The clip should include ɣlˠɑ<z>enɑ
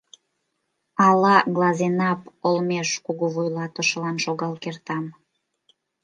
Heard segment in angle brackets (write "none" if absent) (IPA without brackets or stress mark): z